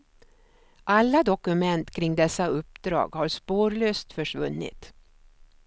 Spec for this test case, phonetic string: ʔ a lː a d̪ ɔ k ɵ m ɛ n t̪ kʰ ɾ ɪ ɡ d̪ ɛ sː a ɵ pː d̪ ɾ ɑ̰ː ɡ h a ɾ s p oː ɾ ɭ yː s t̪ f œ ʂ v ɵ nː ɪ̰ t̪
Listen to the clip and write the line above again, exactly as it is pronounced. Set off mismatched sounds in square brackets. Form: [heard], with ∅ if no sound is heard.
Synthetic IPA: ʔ a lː a d̪ ɔ k ɵ m ɛ n t̪ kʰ ɾ ɪ [ŋ] d̪ ɛ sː a ɵ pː d̪ ɾ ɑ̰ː ɡ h a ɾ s p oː ɾ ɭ [øː] s t̪ f œ ʂ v ɵ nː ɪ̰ t̪